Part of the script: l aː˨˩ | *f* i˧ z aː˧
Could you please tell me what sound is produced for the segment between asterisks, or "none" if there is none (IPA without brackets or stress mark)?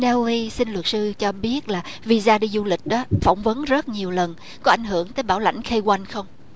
v